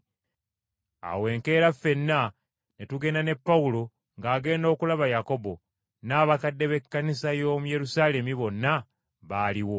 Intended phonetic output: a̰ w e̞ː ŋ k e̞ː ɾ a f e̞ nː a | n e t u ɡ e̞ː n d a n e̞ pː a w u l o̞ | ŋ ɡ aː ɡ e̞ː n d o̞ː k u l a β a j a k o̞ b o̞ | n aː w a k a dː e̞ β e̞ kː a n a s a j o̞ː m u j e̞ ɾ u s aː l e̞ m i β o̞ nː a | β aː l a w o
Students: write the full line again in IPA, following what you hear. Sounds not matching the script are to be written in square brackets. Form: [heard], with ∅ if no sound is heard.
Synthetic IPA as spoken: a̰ w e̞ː ŋ k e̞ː ɾ a f e̞ nː a | n e t u ɡ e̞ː n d a n e̞ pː a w u l o̞ | ŋ ɡ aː ɡ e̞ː n d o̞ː k u l a β a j a k o̞ b o̞ | n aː [β] a k a dː e̞ β e̞ kː a n [i] s a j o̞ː m u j e̞ ɾ u s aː l e̞ m i β o̞ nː a | β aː l [i] w o